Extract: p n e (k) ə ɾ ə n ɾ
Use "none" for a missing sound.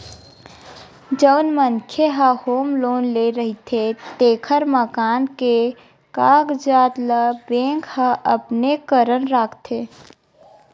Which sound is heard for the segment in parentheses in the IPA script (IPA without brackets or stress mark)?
k